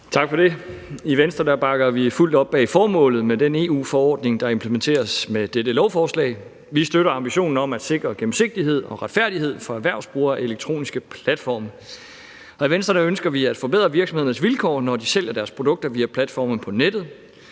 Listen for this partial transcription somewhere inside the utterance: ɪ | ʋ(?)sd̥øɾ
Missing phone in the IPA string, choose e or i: i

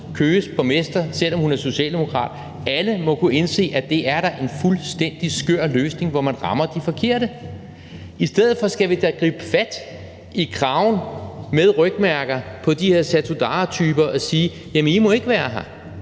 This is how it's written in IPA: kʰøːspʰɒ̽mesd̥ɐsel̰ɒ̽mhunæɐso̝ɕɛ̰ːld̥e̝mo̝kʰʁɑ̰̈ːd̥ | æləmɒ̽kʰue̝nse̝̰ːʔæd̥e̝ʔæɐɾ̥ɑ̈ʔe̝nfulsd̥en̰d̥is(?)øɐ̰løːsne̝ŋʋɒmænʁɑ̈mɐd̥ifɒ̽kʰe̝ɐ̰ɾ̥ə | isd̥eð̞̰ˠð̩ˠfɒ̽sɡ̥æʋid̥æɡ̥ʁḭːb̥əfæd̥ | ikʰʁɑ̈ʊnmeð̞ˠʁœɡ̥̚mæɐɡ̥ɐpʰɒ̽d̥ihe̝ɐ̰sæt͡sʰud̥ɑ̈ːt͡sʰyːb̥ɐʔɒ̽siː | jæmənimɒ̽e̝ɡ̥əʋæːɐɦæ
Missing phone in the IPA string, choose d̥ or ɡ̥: ɡ̥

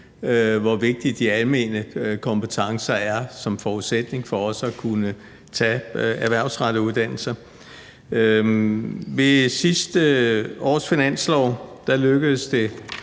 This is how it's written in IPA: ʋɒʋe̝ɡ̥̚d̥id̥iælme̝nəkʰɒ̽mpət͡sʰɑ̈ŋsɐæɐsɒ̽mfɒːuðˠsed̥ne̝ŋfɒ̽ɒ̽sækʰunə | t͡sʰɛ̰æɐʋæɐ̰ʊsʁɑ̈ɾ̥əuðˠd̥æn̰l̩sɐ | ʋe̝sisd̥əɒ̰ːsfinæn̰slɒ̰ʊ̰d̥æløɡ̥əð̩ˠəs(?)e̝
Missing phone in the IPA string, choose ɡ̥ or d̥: d̥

